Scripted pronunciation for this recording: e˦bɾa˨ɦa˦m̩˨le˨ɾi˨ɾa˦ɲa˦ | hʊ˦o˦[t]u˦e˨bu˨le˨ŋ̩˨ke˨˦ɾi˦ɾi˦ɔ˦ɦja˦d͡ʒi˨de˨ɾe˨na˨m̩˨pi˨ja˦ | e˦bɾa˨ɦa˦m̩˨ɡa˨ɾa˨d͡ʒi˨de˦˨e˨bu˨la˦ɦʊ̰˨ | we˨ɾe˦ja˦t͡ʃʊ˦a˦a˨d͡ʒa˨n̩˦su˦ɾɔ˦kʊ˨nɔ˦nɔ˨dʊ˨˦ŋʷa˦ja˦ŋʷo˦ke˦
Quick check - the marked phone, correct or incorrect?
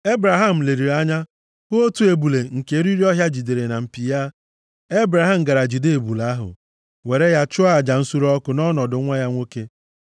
correct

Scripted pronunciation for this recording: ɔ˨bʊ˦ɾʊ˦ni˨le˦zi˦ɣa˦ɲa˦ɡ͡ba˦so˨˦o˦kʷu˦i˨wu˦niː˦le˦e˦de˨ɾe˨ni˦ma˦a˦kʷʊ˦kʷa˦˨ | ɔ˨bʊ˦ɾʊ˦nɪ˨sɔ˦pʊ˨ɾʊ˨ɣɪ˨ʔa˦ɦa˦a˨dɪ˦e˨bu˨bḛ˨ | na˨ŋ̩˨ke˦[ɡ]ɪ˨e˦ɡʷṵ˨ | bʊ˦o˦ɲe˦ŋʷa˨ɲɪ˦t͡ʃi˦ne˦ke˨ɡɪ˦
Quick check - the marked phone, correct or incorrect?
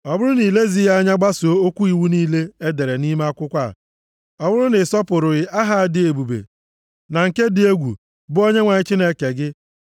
incorrect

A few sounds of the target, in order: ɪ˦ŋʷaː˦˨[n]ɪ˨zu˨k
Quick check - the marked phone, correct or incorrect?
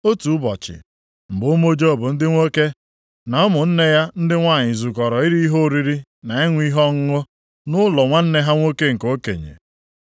incorrect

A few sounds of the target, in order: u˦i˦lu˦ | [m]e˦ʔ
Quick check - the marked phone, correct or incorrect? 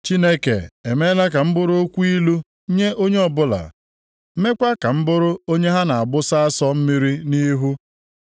incorrect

